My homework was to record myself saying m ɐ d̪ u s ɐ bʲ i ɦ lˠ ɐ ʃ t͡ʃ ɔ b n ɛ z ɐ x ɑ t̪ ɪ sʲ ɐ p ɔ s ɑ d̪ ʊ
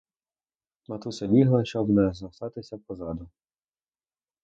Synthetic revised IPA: m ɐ t̪ u s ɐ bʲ i ɦ lˠ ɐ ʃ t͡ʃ ɔ b n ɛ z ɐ s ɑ t̪ ɪ sʲ ɐ p ɔ z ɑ d̪ ʊ